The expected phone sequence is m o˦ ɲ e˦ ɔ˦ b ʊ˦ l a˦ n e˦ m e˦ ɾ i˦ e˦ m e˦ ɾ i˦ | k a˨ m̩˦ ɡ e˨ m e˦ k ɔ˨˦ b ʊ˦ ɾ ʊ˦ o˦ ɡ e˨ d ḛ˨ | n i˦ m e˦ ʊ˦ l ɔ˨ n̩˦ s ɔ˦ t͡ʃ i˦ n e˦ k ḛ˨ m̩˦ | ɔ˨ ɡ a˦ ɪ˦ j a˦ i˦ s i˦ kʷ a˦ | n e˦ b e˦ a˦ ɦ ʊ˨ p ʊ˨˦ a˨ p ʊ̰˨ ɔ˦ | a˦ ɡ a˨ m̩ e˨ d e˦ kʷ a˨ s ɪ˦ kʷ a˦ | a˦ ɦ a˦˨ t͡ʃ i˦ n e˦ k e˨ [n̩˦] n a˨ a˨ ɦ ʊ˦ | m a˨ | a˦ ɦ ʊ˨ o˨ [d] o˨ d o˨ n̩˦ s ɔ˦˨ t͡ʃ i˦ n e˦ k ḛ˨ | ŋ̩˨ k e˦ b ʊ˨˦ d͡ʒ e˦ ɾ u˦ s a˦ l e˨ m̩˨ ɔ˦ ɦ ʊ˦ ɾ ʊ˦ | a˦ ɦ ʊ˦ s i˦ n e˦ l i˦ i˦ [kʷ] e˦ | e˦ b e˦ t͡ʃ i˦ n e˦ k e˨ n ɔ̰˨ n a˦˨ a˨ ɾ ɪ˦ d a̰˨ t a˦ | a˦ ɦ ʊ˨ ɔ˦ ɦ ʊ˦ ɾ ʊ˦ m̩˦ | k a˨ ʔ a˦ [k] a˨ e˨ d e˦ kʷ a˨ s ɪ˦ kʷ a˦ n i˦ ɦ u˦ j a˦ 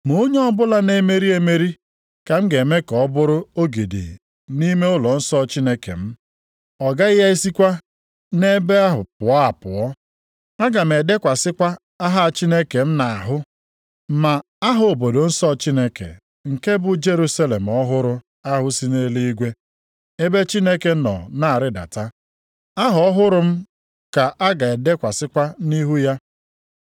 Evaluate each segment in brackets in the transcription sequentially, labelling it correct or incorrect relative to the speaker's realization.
incorrect: m̩˦, incorrect: b, incorrect: ɡʷ, incorrect: ɡ

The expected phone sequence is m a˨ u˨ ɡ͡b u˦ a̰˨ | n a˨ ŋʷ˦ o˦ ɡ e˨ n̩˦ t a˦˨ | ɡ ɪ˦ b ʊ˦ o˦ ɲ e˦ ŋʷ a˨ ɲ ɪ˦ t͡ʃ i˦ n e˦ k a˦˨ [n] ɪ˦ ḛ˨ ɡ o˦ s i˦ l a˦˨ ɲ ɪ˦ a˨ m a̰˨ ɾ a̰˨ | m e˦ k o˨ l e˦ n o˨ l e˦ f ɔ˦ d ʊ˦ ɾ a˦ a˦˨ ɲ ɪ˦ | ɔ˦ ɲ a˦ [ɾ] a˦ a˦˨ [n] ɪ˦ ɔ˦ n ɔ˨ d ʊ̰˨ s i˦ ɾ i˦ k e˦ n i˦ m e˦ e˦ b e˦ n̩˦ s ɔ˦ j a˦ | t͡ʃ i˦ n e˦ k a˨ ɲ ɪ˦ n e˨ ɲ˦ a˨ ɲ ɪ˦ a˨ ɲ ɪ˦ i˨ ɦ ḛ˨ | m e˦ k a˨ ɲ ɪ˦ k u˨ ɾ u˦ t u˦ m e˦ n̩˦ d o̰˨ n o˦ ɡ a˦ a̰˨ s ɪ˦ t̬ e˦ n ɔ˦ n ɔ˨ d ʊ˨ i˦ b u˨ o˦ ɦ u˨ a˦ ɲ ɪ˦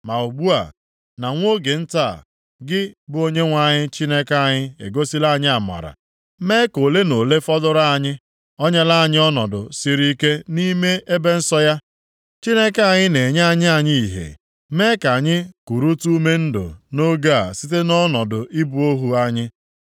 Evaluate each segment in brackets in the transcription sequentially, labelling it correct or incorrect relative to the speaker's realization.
incorrect: ɲ, incorrect: l, incorrect: ɲ

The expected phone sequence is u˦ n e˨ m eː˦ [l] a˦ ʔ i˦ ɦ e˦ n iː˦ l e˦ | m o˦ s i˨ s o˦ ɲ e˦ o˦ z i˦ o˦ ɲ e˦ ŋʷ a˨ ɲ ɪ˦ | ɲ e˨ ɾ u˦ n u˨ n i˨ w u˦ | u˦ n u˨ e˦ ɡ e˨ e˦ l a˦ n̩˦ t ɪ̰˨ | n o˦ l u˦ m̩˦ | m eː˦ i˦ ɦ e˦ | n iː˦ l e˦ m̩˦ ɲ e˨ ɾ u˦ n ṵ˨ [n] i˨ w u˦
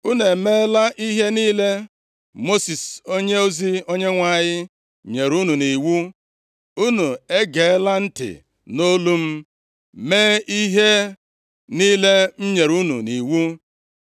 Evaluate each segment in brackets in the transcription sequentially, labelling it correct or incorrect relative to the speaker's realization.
correct, correct

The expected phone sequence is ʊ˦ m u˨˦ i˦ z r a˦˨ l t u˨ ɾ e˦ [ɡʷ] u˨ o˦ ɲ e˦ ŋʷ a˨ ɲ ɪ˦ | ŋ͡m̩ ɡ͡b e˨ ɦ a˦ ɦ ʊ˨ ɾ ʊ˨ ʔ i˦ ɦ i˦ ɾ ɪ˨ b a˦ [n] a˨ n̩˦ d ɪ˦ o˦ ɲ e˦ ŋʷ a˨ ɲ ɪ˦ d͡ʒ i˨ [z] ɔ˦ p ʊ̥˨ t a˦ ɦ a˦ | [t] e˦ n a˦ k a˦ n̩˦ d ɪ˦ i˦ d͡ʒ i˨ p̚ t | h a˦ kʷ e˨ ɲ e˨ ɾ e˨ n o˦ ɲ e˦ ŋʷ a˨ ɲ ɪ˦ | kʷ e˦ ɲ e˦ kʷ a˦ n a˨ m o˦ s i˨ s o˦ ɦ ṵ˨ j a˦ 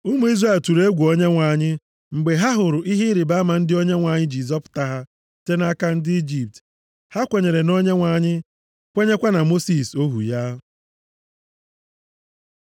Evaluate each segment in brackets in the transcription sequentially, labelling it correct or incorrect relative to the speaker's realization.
correct, incorrect: m, correct, correct

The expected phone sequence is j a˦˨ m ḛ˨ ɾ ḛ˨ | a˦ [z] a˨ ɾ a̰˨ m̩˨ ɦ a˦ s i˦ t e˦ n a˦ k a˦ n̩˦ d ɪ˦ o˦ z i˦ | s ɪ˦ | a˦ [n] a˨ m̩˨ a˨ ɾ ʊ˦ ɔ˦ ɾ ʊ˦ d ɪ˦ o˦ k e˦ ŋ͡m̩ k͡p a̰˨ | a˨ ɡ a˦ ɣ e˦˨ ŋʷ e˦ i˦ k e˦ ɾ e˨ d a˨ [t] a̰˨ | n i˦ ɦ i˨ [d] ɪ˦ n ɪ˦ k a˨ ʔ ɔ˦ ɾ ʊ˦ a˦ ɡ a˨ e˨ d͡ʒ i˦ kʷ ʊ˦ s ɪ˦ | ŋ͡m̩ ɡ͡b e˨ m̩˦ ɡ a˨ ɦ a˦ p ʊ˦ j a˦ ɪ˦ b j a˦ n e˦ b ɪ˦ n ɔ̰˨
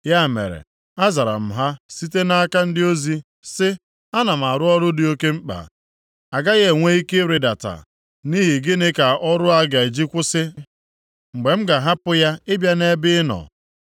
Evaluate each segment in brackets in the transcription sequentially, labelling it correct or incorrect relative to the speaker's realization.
correct, correct, correct, incorrect: ɡ

